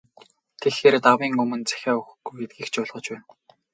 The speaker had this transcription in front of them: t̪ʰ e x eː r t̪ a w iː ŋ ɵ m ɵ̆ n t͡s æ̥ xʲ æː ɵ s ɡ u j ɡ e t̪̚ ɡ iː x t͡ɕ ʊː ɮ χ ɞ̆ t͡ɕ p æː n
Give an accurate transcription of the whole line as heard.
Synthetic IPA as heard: t̪ʰ e x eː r t̪ a w iː ŋ ɵ m ɵ̆ n t͡s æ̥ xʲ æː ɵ x ɡ u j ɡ e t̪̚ ɡ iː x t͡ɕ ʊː ɮ ʁ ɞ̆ t͡ɕ p æː n